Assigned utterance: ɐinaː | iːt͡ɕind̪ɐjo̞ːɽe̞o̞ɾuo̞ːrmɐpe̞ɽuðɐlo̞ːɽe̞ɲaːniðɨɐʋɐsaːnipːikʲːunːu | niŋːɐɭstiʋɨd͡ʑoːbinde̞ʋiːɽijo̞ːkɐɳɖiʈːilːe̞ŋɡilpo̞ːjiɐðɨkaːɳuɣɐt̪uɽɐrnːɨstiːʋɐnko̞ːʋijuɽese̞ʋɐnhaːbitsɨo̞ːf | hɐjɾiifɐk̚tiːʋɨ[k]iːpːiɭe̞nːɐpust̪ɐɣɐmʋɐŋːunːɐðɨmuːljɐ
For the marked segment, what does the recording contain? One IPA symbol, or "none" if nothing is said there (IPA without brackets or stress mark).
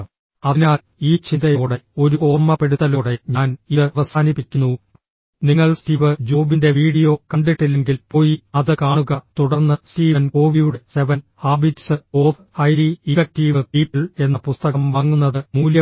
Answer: p